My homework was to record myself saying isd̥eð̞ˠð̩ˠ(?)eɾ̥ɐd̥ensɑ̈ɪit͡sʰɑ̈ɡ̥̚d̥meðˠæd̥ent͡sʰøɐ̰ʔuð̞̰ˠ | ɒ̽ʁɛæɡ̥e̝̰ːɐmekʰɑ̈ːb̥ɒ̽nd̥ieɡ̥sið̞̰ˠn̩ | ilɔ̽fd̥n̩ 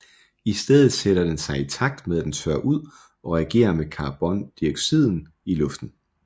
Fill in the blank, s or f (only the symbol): s